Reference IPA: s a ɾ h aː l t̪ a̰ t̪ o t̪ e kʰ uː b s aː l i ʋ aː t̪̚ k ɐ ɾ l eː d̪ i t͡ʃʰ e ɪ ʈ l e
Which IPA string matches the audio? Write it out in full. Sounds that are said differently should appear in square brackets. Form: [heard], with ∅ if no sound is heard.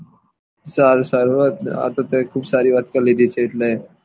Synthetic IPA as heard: s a ɾ [s] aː [ɾ] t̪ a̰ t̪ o t̪ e kʰ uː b s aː [ɾ] i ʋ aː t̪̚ k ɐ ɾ l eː d̪ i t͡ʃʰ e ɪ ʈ l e